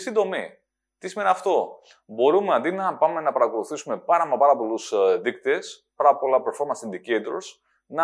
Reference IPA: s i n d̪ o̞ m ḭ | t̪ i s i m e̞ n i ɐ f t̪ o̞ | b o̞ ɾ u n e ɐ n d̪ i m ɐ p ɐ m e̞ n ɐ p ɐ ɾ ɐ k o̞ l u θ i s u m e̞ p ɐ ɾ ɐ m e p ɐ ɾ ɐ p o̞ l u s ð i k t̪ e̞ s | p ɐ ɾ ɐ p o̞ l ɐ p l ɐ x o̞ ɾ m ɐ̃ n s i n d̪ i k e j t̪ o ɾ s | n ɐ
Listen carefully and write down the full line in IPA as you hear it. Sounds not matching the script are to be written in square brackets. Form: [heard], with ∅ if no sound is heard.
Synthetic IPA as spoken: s i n d̪ o̞ m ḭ | t̪ i s i m e̞ n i ɐ f t̪ o̞ | b o̞ ɾ u [m] e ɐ n d̪ i [n] ɐ p ɐ m e̞ n ɐ p ɐ ɾ ɐ k o̞ l u θ i s u m e̞ p ɐ ɾ ɐ m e p ɐ ɾ ɐ p o̞ l u s ð i k t̪ e̞ s | p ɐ ɾ ɐ p o̞ l ɐ p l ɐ [f] o̞ ɾ m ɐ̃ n s i n d̪ i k e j t̪ o ɾ s | n ɐ